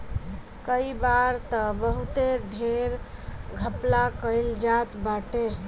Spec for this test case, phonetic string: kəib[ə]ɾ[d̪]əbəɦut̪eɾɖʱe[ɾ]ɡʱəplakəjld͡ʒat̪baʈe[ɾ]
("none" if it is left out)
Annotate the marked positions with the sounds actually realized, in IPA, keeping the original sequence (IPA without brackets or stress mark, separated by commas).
a, t̪, ɾ, ɾ